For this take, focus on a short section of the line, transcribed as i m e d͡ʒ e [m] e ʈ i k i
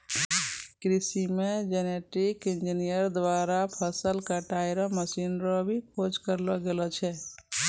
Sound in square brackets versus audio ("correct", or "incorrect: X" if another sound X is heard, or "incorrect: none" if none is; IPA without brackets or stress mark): incorrect: n